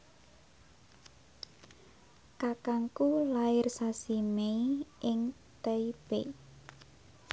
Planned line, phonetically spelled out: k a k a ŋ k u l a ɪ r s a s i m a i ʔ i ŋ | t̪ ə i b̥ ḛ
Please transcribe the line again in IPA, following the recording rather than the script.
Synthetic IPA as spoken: k a k a ŋ k u l a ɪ r s a s i m e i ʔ ɪ ŋ | t̪ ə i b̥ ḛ

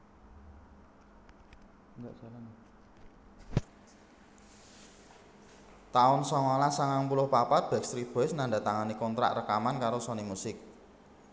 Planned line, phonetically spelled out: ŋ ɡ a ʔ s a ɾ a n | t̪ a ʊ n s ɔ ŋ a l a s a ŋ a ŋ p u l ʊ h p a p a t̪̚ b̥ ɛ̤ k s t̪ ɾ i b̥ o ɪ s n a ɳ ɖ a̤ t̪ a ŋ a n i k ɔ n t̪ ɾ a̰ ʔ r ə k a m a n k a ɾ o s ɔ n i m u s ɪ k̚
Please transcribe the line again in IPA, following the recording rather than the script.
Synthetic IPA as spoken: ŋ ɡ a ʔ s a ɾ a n | t̪ a ʊ n s ɔ ŋ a l a s a ŋ a ŋ p u l ʊ h p a p a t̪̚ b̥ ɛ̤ k s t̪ ɾ i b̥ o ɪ s n a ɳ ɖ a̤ t̪ a ŋ a n i k ɔ n t̪ ɾ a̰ ʔ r ə k a m a n k a ɾ o s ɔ n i m u s ɪ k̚

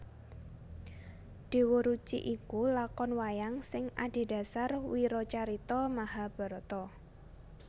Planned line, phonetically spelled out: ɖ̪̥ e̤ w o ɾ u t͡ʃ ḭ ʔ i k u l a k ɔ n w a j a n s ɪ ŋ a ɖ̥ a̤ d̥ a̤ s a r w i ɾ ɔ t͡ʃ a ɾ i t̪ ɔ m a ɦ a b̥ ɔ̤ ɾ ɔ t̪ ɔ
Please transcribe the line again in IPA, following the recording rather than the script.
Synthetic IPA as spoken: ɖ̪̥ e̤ w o ɾ u t͡ʃ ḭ ʔ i k u l a k ɔ n w a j a ŋ s ɪ ŋ a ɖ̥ e̤ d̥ a̤ s a r w i ɾ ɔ t͡ʃ a ɾ i t̪ ɔ m a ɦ a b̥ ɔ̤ ɾ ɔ t̪ ɔ

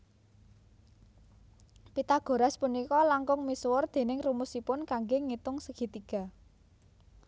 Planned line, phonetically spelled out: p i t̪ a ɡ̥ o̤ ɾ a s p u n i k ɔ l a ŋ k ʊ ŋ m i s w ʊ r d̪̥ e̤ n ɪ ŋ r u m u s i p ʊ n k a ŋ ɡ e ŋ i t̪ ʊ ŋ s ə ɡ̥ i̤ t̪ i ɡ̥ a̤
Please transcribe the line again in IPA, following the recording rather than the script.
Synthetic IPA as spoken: p i t̪ a ɡ̥ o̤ ɾ a s p u n i k ɔ l a ŋ k ʊ ŋ m i s w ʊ r d̪̥ e̤ n ɪ ŋ r u m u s i p ʊ n k a ŋ ɡ e ŋ i t̪ ʊ ŋ s ə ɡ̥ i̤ t̪ i ɡ̥ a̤

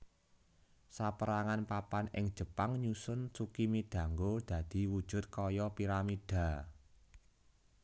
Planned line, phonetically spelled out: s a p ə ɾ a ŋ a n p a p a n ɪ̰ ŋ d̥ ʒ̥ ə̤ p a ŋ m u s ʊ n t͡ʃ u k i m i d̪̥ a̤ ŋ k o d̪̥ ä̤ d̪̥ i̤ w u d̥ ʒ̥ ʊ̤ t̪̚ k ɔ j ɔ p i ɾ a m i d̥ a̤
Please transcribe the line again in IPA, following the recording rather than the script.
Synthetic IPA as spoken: s a p ə ɾ a ŋ a n p a p a n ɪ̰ ŋ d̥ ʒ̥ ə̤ p a ŋ ɲ u s ʊ n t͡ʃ u k i m i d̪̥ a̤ ŋ ɡ o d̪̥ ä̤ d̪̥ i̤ w u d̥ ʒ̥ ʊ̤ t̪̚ k ɔ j ɔ p i ɾ a m i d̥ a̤

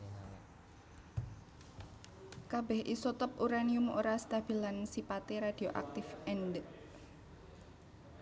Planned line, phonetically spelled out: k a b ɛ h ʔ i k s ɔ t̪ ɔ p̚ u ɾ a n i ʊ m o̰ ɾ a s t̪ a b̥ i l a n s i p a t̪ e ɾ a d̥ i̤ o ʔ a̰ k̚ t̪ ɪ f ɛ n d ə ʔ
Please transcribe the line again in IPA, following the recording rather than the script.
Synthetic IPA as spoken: k a b ɛ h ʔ i s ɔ t̪ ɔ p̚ u ɾ a n i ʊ m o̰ ɾ a s t̪ a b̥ i l a n s i p a t̪ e ɾ a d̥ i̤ o ʔ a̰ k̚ t̪ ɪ f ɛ n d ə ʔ

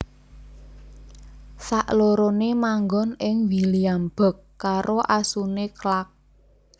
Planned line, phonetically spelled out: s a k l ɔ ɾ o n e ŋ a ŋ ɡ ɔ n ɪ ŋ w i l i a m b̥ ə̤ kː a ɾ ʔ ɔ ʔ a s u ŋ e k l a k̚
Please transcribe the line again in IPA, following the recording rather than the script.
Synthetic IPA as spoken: s a ʔ l o ɾ o n e m a ŋ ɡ ɔ n ɪ ŋ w i l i a m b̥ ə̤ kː a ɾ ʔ o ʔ a s u n e k l a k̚

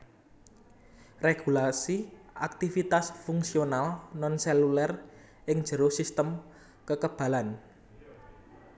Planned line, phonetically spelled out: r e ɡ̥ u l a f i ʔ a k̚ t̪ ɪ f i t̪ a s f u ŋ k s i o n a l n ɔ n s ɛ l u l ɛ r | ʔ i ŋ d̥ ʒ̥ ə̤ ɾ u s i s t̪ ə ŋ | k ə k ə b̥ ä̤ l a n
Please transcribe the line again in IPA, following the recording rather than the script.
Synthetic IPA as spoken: r e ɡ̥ u l a s i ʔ a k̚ t̪ i f i t̪ a s f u ŋ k s i o n a l n ɔ n s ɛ l u l ɛ r | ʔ ɪ ŋ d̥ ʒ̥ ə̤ ɾ o s i s t̪ ə m | k ə k ə b̥ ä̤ l a n

